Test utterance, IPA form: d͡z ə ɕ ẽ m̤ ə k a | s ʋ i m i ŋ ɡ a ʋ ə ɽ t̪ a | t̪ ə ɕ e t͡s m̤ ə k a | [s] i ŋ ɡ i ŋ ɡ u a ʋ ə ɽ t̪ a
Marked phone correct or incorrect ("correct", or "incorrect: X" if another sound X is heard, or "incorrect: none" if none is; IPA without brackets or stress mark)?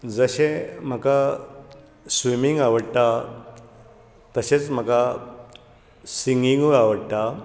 correct